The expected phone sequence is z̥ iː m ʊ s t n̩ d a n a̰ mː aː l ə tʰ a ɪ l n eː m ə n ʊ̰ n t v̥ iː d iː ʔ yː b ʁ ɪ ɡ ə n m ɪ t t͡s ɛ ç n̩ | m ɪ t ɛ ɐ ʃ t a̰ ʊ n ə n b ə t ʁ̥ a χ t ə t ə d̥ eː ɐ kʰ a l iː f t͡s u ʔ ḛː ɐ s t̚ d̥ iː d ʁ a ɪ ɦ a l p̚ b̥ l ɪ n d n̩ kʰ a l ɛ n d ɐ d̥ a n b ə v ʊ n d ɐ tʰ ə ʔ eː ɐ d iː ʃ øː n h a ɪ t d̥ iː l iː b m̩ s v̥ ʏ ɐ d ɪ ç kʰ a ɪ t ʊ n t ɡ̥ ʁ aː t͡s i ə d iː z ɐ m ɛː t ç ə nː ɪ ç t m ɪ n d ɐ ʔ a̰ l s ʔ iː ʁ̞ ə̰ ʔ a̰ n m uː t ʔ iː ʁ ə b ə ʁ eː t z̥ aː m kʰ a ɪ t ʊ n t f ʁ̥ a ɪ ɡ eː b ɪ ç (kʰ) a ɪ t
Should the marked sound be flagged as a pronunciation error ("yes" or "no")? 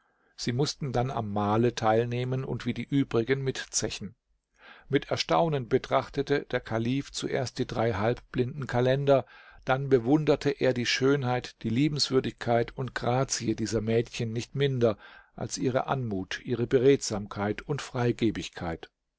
no